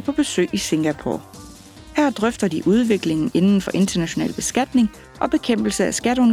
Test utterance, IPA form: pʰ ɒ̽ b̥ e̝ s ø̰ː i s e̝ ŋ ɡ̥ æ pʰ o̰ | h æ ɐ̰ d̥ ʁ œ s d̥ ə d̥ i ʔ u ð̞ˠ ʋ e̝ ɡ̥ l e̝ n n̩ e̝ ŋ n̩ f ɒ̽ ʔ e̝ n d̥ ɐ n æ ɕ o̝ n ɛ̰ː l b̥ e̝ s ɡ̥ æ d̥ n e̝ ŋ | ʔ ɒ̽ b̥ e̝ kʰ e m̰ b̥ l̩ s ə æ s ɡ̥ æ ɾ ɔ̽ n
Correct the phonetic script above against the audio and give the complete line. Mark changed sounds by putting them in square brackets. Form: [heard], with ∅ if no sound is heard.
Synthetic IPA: pʰ ɒ̽ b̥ e̝ s ø̰ː i s e̝ ŋ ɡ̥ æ pʰ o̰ | h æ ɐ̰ d̥ ʁ œ [f] d̥ [ɐ] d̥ i ʔ u ð̞ˠ ʋ e̝ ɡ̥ l e̝ [ŋ] n̩ e̝ [n] n̩ f ɒ̽ ʔ e̝ n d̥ ɐ n æ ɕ o̝ n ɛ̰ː l b̥ e̝ s ɡ̥ æ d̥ n e̝ ŋ | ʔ ɒ̽ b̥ e̝ kʰ e m̰ b̥ l̩ s ə æ s ɡ̥ æ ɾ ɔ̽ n